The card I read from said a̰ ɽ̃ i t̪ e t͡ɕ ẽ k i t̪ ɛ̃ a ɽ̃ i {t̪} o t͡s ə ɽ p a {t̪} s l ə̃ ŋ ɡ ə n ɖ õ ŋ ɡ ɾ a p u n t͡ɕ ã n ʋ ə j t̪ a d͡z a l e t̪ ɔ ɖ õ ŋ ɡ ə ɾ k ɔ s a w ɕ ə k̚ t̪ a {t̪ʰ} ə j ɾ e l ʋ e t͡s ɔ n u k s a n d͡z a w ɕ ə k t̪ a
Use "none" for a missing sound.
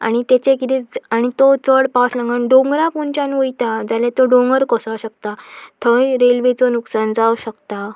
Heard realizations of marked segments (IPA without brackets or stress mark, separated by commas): t̪, none, t̪ʰ